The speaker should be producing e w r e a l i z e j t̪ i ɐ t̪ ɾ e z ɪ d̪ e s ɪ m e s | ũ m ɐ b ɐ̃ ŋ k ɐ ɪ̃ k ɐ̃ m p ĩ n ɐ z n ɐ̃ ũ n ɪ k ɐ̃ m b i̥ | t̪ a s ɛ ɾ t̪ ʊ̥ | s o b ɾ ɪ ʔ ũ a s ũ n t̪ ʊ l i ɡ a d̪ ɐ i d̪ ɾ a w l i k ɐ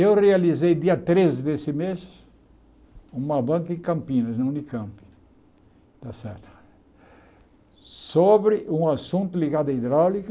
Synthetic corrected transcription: e w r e a l i z e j d̪ i ɐ t̪ ɾ e z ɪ d̪ e s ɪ m e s | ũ m ɐ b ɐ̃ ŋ k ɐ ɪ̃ k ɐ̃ m p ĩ n ɐ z n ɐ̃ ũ n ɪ k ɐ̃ m p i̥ | t̪ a s ɛ ɾ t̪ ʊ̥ | s o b ɾ ɪ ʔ ũ a s ũ n t̪ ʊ l i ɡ a d̪ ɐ i d̪ ɾ a w l i k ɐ

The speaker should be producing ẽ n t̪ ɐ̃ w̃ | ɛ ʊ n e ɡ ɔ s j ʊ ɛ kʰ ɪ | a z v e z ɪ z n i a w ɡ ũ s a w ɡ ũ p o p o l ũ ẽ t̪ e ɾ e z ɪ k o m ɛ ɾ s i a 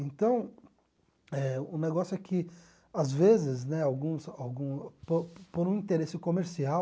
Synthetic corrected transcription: ẽ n t̪ ɐ̃ w̃ | ɛ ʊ n e ɡ ɔ s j ʊ ɛ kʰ ɪ | a z v e z ɪ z n ɛ a w ɡ ũ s a w ɡ ũ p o p o ɾ ũ ĩ t̪ e ɾ e s ɪ k o m e ɾ s i a

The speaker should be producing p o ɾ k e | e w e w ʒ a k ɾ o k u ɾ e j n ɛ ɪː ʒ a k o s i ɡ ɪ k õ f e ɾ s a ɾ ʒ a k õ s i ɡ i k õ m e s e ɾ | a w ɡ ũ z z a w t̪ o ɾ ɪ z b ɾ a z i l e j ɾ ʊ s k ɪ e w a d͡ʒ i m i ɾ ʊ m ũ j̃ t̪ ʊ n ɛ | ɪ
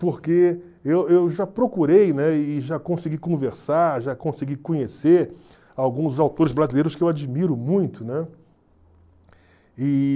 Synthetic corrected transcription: p o ɾ k e | e w e w ʒ a p ɾ o k u ɾ e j n ɛ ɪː ʒ a k õ s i ɡ i k õ v e ɾ s a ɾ ʒ a k õ s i ɡ i k õ ɲ e s e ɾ | a w ɡ ũ z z a w t̪ o ɾ ɪ z b ɾ a z i l e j ɾ ʊ s k ɪ e w a d͡ʒ i m i ɾ ʊ m ũ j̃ t̪ ʊ n ɛ | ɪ

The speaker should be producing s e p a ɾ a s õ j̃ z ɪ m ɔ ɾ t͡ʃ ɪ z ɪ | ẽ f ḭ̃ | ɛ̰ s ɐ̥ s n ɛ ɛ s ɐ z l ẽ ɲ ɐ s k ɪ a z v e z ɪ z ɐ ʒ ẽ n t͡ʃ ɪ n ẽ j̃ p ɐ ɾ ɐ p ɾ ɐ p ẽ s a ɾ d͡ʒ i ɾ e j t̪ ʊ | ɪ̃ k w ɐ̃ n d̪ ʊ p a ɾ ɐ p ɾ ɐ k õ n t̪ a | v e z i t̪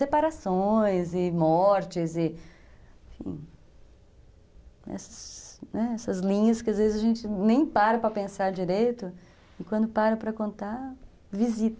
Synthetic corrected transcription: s e p a ɾ a s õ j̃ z ɪ m ɔ ɾ t͡ʃ ɪ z ɪ | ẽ f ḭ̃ | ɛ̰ s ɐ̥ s n ɛ ɛ s ɐ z l ĩ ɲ ɐ s k ɪ a z v e z ɪ z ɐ ʒ ẽ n t͡ʃ ɪ n ẽ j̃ p a ɾ ɐ p ɾ ɐ p ẽ s a ɾ d͡ʒ i ɾ e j t̪ ʊ | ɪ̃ k w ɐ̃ n d̪ ʊ p a ɾ ɐ p ɾ ɐ k õ n t̪ a | v i z i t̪

